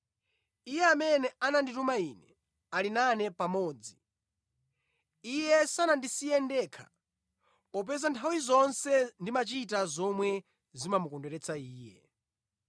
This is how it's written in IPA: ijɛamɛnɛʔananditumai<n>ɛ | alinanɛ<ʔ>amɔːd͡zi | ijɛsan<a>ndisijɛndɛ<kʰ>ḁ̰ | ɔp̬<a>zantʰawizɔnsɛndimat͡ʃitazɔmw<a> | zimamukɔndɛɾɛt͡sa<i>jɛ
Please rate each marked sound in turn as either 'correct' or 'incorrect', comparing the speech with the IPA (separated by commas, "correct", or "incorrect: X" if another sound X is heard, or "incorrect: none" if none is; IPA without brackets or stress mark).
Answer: correct, incorrect: p, correct, correct, incorrect: ɛ, incorrect: ɛ, incorrect: iː